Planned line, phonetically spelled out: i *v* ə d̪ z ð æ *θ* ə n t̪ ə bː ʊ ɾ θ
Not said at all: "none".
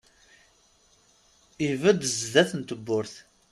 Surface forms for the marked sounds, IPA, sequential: v, θ

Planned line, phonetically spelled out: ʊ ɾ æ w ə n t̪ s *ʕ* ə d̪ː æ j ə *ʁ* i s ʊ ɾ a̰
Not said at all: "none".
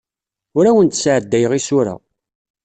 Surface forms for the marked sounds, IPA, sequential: ʕ, ʁ

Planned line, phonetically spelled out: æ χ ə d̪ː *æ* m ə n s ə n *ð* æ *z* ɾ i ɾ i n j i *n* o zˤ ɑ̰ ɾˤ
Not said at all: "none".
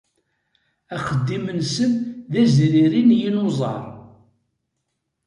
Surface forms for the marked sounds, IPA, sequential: i, ð, z, n

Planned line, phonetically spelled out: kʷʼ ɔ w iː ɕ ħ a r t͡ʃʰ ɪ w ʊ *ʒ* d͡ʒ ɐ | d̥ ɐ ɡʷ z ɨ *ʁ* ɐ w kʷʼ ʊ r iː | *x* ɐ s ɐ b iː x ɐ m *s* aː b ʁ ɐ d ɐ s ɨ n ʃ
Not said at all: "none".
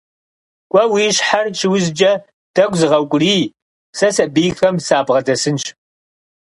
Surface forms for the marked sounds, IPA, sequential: z, ʁ, s, s

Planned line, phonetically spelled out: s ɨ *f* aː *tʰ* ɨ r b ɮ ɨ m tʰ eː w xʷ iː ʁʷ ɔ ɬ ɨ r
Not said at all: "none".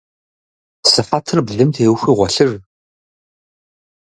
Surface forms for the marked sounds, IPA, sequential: f, tʰ

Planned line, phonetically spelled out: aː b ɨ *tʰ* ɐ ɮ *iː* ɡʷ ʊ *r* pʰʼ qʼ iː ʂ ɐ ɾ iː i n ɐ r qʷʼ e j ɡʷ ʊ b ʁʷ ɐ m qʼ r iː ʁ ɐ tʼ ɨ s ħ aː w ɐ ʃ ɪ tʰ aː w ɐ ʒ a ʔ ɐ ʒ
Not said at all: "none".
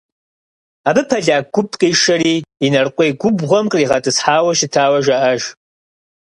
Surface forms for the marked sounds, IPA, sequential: pʰ, aː, none

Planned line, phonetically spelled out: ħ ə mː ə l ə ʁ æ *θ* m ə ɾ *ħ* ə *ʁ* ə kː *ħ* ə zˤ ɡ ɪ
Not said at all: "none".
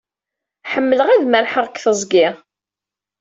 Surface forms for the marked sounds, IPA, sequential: ð, ħ, ʁ, θ

